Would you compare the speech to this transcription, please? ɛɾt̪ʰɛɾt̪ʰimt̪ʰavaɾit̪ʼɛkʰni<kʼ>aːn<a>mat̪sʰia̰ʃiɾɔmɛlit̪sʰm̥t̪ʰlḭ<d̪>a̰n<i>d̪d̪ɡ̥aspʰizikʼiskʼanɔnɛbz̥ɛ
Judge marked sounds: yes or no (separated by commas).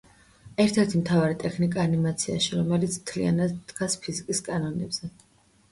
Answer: yes, no, no, no